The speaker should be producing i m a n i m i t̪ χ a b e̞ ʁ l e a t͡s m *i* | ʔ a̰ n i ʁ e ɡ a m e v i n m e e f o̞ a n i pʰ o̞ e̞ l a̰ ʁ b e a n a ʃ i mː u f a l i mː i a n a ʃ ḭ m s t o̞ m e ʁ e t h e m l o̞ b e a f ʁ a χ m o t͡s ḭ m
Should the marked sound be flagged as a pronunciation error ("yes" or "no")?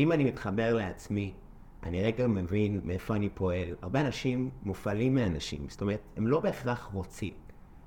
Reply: no